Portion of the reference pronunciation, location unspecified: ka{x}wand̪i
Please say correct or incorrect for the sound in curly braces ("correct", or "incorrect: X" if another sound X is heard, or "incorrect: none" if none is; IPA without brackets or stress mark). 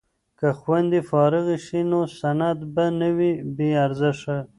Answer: correct